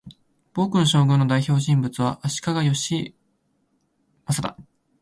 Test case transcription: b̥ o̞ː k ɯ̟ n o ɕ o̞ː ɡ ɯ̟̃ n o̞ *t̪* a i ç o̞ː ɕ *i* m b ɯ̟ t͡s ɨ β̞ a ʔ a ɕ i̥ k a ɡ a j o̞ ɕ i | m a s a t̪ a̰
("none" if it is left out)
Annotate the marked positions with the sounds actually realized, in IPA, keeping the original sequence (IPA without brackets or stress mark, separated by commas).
d̪, ĩ